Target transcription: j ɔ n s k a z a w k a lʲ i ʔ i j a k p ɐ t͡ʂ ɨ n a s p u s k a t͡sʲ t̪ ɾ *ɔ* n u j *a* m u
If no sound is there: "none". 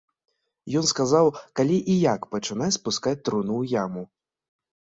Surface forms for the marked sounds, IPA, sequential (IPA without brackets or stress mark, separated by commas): u, a